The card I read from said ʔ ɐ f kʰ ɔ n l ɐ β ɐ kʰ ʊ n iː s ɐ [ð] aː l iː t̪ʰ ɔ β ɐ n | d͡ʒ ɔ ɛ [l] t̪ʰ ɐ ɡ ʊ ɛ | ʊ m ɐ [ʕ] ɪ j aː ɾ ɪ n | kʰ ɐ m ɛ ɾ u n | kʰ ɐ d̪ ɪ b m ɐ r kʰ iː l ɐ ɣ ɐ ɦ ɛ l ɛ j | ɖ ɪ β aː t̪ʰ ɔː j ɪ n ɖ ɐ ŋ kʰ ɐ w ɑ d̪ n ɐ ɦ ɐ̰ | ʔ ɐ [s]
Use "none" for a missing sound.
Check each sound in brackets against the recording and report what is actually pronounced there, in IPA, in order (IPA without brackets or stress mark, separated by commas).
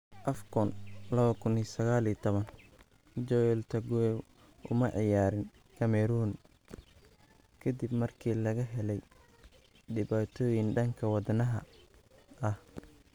ɣ, l, ʕ, h